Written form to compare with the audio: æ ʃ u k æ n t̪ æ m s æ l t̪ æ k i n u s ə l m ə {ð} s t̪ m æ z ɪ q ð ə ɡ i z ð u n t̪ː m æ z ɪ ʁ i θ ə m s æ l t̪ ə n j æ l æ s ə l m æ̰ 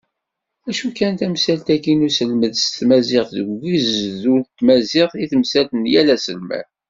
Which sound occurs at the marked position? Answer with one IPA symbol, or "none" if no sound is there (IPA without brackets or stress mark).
ð